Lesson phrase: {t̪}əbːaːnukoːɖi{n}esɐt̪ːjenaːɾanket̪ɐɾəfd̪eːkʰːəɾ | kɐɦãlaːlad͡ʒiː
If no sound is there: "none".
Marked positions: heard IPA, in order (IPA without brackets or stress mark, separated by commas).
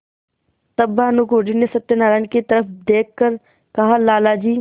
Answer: t̪, n